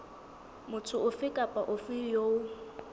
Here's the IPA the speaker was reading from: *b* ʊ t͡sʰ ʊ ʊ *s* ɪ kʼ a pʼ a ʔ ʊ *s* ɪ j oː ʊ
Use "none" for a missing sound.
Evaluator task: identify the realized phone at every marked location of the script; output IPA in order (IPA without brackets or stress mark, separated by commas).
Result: m, f, f